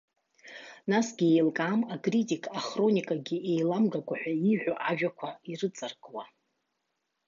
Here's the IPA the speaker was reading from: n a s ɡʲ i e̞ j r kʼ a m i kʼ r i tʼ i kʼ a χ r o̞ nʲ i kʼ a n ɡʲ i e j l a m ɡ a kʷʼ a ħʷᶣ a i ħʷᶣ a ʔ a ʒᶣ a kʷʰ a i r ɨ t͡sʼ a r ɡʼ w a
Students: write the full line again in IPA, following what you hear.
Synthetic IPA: n a s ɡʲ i e̞ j l kʼ a m a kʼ r i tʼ i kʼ a χ r o̞ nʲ i kʼ a ɡʲ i e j l a m ɡ a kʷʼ a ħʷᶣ a i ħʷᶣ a ʔ a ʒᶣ a kʷʰ a i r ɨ t͡sʼ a r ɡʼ w a